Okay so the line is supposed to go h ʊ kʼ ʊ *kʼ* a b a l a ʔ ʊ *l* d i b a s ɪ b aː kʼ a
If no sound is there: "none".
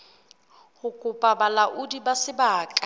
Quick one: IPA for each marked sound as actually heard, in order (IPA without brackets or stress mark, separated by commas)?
pʼ, none